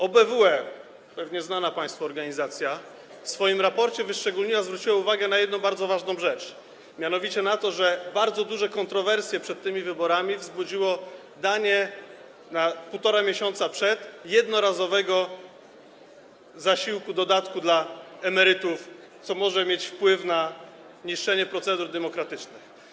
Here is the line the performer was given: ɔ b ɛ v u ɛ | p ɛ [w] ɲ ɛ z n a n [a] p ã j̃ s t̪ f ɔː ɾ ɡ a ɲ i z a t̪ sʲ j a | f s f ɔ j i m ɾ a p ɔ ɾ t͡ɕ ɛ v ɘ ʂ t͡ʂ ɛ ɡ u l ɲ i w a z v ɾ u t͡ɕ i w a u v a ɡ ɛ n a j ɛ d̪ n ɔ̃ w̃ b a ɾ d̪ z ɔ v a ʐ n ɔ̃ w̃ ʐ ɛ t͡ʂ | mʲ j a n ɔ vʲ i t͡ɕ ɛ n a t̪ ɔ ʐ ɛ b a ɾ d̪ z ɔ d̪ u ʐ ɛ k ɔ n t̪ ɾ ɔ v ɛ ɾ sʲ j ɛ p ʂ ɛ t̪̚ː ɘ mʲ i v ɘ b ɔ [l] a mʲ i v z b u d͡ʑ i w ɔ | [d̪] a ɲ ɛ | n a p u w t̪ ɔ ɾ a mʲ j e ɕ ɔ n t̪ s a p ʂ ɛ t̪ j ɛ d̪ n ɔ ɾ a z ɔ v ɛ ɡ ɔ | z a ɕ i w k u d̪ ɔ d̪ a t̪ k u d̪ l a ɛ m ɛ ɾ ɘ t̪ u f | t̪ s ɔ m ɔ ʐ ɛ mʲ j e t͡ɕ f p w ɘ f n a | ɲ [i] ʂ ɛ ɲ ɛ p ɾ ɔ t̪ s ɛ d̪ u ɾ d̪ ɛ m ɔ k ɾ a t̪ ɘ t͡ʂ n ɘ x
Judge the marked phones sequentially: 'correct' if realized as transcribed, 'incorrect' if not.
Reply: incorrect: v, correct, incorrect: ɾ, correct, correct

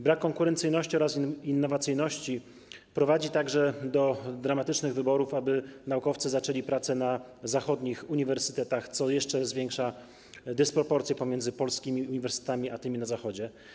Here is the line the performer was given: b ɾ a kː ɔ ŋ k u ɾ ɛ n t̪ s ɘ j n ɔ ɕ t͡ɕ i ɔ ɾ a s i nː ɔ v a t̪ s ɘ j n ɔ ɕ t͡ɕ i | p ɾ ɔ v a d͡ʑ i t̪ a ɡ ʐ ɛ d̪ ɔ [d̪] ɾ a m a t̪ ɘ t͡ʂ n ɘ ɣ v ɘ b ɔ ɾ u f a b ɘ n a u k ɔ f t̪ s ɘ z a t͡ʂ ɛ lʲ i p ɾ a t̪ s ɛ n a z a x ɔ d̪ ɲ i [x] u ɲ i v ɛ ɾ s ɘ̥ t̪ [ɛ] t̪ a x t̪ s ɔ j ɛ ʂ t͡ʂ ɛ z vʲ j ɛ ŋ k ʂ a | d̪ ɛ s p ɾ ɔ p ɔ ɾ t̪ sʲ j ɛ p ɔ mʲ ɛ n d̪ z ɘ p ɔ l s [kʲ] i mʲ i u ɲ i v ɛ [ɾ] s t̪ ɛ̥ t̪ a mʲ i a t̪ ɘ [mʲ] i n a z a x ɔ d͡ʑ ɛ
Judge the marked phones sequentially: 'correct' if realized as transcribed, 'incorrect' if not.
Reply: correct, correct, correct, correct, correct, correct

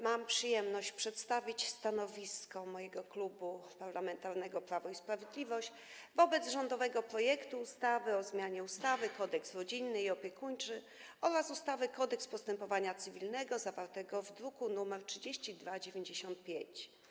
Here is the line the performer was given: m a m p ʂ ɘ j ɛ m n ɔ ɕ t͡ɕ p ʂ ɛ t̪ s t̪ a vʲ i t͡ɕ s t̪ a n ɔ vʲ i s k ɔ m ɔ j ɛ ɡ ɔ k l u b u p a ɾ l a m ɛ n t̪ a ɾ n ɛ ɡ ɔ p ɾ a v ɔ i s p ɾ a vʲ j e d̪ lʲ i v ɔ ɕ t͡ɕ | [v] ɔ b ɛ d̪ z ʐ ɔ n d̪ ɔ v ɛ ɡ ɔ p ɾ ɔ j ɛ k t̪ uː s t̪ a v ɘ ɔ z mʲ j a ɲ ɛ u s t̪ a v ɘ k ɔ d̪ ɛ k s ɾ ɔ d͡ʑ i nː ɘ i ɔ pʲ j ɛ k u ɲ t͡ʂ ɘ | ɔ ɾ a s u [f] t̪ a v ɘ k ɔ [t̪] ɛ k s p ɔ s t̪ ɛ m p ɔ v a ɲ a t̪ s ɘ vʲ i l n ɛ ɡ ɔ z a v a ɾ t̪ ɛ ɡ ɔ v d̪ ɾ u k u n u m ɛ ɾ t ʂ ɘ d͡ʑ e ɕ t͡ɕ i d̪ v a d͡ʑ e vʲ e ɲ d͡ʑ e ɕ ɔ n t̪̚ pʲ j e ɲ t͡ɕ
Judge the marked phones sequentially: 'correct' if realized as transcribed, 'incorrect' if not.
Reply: correct, incorrect: s, incorrect: d̪

